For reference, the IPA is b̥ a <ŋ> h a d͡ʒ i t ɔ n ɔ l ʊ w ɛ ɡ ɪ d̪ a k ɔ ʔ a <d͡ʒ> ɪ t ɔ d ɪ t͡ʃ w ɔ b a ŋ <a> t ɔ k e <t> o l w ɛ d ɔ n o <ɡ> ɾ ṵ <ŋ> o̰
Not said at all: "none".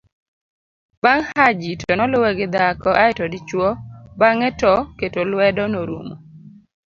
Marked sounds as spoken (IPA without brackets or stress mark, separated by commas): ŋ, none, ɛ, t, none, m